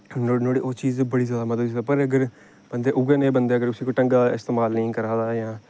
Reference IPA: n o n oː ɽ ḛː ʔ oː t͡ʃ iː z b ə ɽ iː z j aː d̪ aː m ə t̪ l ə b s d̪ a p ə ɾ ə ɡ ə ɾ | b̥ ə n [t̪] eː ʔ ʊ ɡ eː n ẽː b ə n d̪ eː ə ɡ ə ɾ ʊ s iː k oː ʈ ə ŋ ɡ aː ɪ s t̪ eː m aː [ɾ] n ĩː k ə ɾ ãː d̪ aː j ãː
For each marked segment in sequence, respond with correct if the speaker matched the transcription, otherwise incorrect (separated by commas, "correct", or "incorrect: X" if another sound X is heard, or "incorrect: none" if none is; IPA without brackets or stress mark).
incorrect: d̪, incorrect: l